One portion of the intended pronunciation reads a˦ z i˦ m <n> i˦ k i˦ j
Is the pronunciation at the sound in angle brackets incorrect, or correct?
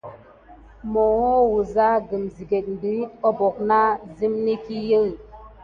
correct